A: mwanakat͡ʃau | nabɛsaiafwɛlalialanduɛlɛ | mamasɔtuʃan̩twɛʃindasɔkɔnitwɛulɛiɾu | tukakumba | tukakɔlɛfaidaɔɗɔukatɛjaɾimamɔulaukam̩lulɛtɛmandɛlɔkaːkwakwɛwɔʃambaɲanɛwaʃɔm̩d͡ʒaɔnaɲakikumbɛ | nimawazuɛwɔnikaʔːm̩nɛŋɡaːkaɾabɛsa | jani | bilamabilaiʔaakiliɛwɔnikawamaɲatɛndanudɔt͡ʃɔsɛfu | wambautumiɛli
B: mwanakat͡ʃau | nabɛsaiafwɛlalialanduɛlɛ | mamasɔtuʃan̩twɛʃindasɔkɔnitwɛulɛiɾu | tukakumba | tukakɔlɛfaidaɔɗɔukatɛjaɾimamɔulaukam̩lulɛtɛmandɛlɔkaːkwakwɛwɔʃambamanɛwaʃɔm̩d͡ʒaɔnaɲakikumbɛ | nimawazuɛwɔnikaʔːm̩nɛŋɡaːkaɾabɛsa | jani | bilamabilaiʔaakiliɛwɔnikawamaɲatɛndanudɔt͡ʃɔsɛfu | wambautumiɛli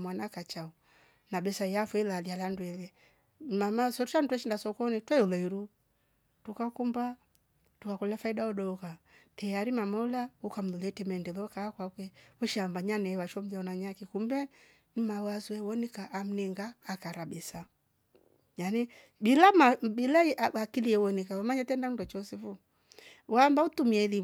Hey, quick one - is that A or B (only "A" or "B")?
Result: A